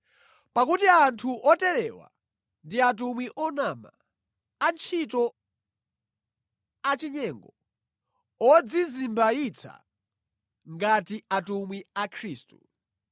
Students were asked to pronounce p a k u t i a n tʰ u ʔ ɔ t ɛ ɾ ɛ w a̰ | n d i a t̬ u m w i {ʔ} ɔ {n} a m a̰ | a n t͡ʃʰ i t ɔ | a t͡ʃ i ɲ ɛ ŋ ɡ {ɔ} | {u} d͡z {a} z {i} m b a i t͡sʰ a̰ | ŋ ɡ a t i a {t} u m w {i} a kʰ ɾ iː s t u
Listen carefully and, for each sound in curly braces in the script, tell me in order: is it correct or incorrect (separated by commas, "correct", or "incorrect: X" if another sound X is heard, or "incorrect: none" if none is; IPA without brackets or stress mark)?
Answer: correct, correct, correct, incorrect: ɔ, incorrect: i, correct, correct, correct